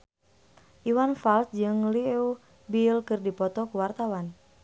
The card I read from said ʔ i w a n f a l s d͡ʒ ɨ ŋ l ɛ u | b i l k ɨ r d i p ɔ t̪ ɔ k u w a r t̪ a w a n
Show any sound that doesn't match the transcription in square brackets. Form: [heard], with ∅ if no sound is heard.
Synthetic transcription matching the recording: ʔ i w a n f a l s d͡ʒ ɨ ŋ l [i] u | b i l k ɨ r d i p ɔ t̪ ɔ k u w a r t̪ a w a n